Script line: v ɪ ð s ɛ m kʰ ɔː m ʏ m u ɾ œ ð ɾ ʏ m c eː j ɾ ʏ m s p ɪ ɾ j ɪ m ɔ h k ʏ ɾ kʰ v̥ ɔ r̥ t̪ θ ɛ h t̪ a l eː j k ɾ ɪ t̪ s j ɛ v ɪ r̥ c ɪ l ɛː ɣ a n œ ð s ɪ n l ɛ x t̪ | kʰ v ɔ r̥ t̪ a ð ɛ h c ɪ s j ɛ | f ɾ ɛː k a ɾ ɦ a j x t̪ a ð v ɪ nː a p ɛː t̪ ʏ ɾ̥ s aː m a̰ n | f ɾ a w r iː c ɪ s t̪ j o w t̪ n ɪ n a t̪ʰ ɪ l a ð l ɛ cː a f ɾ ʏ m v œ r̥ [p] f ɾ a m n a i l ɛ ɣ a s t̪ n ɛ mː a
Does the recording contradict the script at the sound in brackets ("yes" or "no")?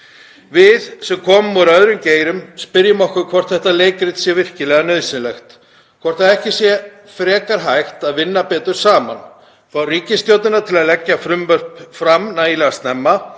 no